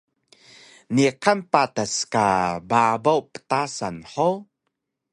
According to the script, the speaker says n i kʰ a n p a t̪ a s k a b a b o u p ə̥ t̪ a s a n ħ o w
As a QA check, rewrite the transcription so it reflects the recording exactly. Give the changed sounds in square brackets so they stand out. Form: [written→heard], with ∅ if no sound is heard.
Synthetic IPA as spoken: n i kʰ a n p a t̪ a s k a b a b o [u→w] p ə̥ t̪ a s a n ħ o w